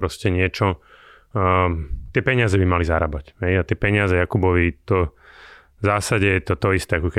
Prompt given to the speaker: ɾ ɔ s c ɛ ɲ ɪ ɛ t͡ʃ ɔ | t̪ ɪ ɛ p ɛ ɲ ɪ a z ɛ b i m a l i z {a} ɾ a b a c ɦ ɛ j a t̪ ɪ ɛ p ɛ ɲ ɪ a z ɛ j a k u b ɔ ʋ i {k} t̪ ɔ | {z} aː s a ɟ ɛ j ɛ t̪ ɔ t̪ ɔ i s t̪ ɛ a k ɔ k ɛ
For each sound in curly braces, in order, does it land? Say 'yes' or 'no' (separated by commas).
yes, no, yes